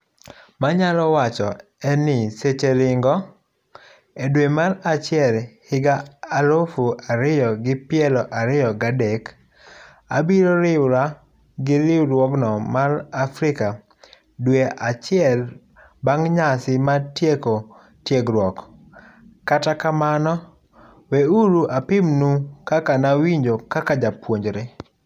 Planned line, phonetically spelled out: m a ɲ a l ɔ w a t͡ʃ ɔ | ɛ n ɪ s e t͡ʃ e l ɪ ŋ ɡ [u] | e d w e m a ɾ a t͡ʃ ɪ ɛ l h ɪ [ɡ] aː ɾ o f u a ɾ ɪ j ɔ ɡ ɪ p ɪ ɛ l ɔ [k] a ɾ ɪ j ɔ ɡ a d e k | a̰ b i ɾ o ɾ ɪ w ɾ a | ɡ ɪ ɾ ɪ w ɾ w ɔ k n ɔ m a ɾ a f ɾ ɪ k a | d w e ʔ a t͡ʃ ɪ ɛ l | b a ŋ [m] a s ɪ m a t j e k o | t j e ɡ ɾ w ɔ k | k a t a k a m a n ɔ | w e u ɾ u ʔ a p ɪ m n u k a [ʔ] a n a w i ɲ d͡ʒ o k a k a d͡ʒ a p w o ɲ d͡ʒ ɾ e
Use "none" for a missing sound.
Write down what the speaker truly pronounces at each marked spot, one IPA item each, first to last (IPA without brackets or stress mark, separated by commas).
ɔ, ɡ, ʔ, ɲ, k